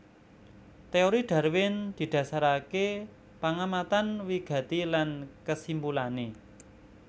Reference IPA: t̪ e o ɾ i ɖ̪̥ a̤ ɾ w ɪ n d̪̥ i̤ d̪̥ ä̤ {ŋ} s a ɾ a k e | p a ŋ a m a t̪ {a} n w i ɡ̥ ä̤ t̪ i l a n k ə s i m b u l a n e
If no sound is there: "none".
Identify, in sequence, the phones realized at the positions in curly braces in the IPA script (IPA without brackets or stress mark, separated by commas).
none, a